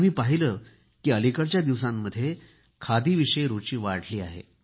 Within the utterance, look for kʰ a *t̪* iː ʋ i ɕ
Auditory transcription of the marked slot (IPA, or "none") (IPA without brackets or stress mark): d̪